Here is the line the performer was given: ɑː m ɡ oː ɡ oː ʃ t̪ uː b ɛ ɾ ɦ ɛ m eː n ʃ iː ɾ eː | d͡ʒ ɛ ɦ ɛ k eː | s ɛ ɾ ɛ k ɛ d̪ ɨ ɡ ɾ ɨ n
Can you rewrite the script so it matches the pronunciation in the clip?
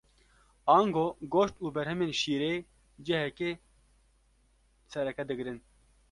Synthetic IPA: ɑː ŋ ɡ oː ɡ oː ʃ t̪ uː b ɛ ɾ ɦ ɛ m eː n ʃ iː ɾ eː | d͡ʒ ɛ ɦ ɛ k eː | s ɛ ɾ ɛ k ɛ d̪ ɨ ɡ ɾ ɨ n